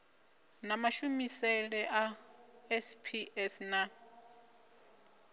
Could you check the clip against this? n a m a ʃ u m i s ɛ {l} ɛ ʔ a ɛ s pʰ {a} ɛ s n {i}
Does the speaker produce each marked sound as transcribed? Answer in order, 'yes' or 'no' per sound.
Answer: yes, no, no

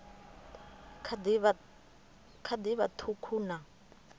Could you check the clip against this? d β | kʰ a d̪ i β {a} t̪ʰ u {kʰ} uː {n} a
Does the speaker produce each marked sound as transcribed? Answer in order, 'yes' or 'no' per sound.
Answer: yes, yes, yes

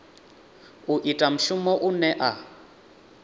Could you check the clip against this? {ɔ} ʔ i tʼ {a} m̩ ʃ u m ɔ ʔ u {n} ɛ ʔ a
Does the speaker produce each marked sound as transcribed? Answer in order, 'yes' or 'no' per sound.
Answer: no, yes, yes

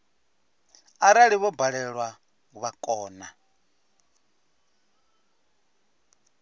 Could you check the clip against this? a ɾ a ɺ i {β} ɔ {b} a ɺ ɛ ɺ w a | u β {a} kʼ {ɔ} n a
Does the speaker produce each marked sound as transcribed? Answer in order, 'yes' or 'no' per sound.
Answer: yes, yes, yes, no

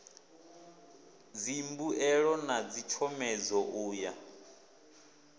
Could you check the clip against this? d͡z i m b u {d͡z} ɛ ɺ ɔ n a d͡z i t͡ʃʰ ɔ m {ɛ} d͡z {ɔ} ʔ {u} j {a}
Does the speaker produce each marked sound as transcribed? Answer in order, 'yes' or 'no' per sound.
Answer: no, yes, yes, no, yes

